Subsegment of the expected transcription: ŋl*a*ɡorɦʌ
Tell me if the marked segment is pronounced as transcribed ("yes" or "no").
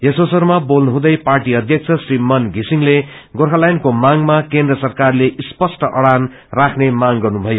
no